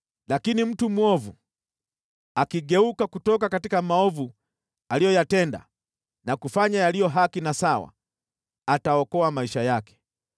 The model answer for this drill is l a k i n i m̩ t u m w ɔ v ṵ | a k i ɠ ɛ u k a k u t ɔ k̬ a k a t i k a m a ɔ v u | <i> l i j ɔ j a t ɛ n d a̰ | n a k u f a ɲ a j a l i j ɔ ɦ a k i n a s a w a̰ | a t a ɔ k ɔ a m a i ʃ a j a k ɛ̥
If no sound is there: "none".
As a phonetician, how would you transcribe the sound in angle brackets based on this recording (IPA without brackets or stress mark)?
a